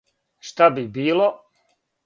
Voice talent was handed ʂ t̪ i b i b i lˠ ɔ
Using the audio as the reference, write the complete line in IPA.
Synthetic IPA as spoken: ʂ t̪ a b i b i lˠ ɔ